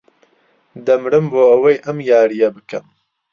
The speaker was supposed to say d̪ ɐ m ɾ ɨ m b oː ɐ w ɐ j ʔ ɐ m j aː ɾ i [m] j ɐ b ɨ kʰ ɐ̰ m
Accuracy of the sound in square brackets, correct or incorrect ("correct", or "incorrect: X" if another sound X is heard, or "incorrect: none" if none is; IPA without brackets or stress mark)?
incorrect: none